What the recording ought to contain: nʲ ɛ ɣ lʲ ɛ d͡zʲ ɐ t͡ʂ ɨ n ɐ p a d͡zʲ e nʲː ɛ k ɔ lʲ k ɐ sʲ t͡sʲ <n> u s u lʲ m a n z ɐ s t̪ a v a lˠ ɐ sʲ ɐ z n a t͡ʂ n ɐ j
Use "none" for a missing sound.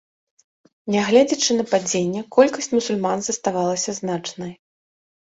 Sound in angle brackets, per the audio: m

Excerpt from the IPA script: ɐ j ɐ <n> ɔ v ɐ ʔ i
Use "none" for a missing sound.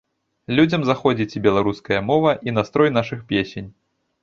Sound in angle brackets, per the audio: m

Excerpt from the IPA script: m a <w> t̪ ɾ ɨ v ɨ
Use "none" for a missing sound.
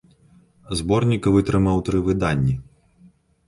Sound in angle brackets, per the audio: w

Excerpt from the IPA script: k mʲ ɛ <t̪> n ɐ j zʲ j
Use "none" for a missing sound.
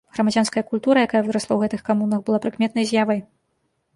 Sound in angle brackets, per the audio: t̪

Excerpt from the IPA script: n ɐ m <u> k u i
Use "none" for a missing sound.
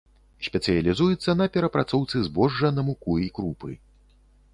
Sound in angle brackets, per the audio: u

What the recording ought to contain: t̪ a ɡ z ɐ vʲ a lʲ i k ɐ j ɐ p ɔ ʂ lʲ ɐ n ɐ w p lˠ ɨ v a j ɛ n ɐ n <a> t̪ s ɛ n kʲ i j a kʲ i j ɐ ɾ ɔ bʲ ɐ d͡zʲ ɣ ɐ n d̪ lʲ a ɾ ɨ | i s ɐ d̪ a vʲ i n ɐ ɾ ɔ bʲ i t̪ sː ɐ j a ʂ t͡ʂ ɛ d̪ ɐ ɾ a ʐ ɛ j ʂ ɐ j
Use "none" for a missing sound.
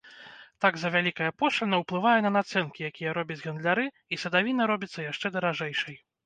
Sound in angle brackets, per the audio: a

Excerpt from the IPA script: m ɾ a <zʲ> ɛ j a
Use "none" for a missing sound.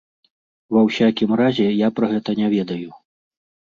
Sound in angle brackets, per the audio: zʲ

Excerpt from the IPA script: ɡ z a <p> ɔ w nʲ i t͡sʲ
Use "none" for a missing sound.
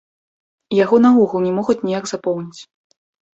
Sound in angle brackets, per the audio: p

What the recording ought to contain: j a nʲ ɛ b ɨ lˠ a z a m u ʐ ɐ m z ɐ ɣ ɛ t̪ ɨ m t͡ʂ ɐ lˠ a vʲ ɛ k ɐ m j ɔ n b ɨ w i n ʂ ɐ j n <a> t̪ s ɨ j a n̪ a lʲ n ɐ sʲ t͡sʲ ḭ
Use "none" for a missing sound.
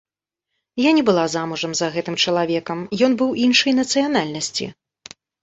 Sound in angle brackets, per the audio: ɐ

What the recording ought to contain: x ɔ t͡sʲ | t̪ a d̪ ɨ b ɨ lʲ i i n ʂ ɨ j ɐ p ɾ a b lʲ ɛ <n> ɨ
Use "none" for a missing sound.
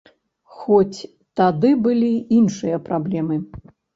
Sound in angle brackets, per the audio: m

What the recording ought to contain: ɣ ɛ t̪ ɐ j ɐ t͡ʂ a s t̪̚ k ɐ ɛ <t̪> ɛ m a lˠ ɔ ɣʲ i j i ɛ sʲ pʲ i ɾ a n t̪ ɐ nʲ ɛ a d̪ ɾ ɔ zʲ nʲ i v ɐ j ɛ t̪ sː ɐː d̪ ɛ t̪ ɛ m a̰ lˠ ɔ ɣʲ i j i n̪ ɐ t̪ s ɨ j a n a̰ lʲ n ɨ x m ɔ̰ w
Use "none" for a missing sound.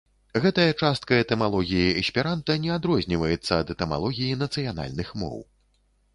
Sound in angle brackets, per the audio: t̪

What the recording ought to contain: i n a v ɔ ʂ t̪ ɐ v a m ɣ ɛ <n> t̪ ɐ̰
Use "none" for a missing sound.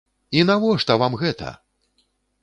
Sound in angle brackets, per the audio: none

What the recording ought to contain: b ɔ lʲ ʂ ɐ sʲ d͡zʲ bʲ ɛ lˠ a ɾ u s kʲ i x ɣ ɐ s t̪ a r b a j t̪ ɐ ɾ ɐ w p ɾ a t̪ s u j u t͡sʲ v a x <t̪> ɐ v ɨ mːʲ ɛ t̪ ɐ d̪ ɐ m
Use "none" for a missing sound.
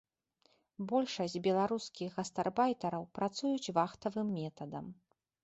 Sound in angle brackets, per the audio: t̪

